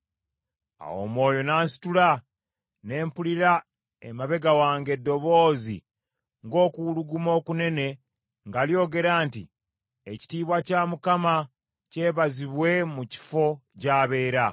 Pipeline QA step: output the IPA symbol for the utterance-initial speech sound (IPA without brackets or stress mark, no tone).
a̰